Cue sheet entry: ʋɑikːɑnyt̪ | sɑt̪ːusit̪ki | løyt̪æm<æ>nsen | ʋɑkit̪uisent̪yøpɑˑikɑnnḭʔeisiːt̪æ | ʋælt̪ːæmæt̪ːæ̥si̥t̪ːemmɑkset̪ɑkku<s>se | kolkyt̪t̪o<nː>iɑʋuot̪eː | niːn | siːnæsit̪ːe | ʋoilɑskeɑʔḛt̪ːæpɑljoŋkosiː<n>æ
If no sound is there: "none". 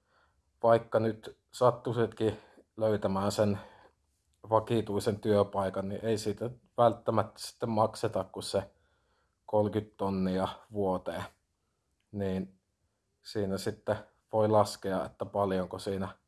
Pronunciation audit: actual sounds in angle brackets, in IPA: æː, s, nː, n

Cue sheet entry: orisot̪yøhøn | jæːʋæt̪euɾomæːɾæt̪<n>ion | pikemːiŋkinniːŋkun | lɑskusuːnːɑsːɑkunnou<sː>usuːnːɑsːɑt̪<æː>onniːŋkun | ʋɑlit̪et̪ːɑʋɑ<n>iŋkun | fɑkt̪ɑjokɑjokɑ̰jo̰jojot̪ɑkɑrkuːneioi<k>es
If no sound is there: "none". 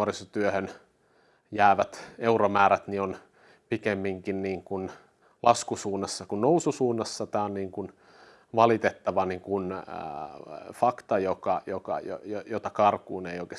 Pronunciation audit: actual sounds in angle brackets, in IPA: n, s, æː, n, k

